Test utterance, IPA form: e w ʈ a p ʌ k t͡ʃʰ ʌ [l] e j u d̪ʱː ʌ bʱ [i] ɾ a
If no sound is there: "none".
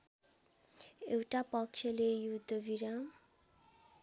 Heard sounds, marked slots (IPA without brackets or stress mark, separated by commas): l, i